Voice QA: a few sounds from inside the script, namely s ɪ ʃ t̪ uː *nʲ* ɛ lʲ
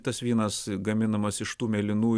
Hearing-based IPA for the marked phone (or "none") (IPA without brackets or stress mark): mʲ